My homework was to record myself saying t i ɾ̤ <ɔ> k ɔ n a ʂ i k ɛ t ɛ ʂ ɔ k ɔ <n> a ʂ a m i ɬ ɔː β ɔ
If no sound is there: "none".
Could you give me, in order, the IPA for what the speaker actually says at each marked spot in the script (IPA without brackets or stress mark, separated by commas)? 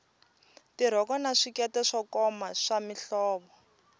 ɔ, m